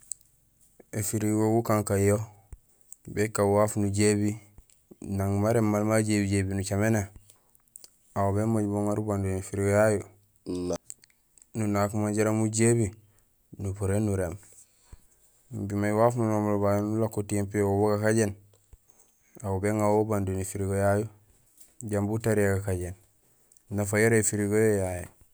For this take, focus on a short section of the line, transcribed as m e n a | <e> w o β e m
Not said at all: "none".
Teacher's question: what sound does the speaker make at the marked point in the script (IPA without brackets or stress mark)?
a